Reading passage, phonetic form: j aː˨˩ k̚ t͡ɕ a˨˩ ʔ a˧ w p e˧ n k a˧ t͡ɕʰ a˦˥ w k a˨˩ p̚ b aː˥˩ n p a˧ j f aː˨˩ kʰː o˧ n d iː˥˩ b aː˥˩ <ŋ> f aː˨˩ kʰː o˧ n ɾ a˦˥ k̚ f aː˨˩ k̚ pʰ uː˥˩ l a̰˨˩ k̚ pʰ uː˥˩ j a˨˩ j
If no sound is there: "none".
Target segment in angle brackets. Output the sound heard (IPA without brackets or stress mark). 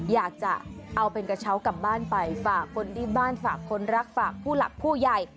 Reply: n